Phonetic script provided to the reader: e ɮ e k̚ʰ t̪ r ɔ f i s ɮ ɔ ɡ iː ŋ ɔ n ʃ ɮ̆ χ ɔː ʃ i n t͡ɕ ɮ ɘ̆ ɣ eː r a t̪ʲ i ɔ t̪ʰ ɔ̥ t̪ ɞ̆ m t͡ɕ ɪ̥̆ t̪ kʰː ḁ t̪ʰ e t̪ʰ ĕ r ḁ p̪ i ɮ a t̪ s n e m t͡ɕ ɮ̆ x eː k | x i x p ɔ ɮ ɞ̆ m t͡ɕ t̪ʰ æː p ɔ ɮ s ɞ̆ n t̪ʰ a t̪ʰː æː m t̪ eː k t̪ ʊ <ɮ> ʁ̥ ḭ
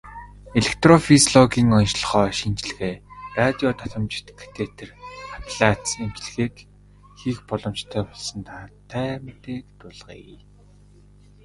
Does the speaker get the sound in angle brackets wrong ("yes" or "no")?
no